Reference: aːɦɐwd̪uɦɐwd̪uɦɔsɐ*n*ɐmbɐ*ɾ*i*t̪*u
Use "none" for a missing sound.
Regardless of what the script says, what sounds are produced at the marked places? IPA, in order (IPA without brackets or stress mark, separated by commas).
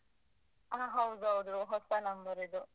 n, ɾ, d̪